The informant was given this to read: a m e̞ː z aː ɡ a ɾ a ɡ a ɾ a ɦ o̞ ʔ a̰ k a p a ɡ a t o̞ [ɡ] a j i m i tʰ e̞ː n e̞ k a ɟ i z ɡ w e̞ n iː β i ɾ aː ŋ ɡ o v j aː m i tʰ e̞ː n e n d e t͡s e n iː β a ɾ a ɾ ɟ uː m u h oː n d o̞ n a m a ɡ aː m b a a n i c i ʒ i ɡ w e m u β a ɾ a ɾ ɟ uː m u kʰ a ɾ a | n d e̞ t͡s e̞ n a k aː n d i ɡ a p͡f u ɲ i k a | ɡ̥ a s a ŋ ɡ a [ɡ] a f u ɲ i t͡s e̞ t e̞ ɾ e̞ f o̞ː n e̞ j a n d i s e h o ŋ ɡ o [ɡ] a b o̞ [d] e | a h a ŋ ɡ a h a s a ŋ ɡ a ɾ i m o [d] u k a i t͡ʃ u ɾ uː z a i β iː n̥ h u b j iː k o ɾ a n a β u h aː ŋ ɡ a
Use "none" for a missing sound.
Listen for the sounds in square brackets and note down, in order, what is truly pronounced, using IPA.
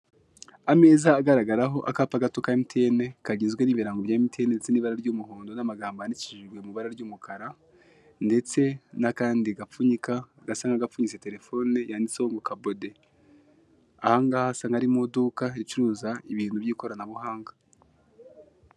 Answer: k, ɡ, k, d, d

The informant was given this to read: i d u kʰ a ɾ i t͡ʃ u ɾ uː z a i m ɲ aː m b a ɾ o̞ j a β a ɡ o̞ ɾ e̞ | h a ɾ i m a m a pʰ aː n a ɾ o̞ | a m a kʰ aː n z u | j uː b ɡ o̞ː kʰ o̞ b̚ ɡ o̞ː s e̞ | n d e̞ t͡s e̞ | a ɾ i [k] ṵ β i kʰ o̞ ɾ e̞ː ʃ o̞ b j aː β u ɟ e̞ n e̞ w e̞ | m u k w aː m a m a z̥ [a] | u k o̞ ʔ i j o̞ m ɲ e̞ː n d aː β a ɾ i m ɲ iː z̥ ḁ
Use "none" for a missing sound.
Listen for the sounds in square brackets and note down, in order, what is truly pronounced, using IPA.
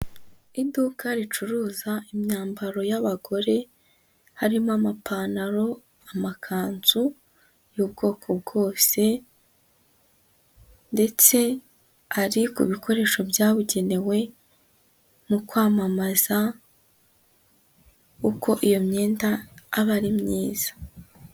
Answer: k, a

